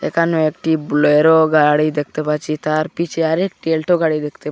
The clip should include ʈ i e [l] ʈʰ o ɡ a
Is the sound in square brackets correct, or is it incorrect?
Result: correct